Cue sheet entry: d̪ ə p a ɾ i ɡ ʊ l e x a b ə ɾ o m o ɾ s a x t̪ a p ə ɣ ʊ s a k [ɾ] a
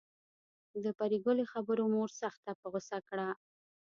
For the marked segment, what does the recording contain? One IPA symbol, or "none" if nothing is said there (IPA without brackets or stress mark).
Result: ɽ